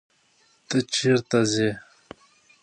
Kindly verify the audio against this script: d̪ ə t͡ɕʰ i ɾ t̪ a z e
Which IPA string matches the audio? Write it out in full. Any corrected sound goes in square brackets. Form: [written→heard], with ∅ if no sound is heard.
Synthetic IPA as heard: [d̪→t̪] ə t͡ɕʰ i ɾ t̪ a z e